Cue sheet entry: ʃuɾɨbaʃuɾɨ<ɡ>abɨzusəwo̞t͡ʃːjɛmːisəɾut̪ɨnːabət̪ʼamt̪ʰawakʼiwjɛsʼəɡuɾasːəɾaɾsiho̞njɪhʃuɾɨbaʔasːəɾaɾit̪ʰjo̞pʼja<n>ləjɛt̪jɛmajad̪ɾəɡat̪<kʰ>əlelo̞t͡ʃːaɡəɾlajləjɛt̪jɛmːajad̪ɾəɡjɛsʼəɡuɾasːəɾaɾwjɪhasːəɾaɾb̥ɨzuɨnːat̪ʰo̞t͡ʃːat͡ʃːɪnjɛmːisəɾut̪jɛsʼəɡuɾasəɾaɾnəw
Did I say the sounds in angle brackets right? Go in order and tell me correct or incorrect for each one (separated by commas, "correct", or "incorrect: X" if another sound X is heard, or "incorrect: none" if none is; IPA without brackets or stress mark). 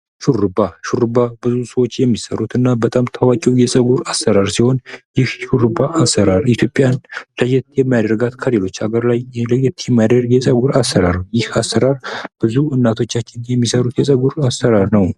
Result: incorrect: b, correct, correct